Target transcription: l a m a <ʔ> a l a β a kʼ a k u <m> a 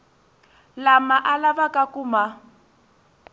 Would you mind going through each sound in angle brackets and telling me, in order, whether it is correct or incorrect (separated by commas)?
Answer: correct, correct